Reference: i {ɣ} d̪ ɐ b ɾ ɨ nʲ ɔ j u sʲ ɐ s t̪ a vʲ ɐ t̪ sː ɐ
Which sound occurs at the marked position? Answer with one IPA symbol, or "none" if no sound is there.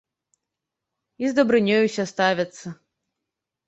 z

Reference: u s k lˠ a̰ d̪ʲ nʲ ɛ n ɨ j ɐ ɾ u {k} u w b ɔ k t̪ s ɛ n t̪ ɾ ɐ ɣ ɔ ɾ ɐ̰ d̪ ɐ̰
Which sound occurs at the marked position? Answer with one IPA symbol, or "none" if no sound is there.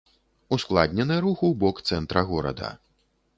x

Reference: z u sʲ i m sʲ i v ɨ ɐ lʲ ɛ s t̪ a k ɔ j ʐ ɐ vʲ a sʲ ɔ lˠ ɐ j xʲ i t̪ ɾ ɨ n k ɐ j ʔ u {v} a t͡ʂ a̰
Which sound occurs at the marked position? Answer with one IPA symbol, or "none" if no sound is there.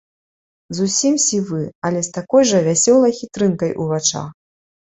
v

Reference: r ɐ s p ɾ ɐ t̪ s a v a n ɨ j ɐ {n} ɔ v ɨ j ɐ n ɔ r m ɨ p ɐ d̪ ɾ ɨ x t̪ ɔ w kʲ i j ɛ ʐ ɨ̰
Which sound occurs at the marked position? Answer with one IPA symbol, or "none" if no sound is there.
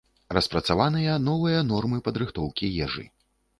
n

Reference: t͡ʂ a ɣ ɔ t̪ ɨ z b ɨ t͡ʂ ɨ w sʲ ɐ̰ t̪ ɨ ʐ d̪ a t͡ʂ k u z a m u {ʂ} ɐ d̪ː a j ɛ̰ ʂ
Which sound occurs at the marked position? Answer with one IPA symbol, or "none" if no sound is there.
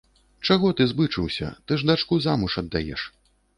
ʂ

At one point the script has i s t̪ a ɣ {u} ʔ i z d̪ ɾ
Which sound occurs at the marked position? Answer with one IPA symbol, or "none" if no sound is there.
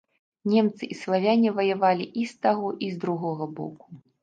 ɔ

